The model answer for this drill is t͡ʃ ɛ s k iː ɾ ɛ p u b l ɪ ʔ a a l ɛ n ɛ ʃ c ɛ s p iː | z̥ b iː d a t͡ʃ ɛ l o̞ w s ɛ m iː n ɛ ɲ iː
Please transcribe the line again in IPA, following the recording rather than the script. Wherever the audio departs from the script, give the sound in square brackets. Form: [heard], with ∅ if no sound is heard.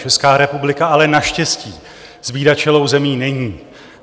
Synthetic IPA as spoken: t͡ʃ ɛ s k [aː] ɾ ɛ p u b l ɪ [k] a a l ɛ n [a] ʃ c ɛ s [c] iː | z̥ b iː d a t͡ʃ ɛ l o̞ w [z] ɛ m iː n ɛ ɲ iː